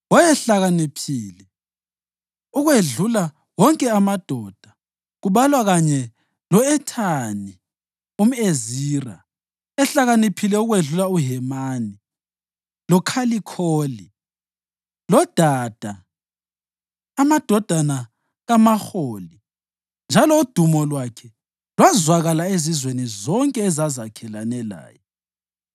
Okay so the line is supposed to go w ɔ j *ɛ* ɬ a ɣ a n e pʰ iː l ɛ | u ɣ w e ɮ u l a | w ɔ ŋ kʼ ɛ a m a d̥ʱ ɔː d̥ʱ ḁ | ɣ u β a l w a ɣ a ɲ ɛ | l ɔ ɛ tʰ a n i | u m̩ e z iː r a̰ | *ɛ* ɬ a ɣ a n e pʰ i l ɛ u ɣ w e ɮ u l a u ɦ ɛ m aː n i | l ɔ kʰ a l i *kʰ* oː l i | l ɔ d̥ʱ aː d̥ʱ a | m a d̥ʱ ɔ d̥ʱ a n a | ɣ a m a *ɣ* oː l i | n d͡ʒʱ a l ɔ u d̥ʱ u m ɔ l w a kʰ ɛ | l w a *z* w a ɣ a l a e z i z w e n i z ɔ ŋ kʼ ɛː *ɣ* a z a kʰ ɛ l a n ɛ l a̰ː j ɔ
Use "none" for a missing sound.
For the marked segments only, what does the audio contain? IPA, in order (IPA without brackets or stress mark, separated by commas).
ɛ, ɛ, kʰ, x, z, z